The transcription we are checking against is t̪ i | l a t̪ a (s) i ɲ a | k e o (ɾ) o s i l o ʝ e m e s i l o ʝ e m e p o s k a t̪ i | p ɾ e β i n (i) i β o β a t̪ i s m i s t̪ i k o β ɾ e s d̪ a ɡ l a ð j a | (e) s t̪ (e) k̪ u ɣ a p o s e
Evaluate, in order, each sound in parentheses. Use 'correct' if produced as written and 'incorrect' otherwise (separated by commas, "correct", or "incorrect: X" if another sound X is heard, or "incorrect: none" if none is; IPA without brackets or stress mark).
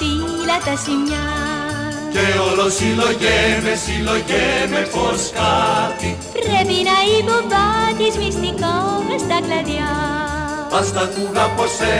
correct, incorrect: l, incorrect: a, incorrect: a, incorrect: a